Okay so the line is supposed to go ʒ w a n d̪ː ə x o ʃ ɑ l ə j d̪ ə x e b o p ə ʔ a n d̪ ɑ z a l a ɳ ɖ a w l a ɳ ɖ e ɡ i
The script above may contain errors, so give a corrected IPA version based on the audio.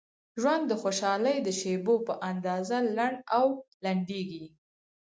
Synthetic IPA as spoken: ʒ w a n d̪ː ə x o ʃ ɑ l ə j d̪ ə ʃ e b o p ə ʔ a n d̪ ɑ z a l a ɳ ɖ a w l a ɳ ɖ e ɡ i